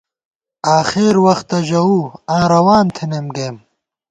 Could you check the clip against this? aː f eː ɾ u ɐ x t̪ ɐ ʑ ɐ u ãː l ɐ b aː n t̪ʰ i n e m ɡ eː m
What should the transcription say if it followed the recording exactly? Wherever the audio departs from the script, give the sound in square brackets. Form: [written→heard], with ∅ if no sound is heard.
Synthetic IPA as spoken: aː [f→x] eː ɾ [u→w] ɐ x t̪ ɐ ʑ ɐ u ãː [l→ɾ] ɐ [b→w] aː n t̪ʰ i n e m ɡ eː m